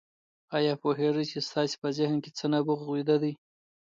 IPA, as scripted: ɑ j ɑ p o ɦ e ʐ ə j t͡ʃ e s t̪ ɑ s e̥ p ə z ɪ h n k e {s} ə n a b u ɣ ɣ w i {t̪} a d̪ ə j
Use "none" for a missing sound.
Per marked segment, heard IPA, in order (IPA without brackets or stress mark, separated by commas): t͡s, d̪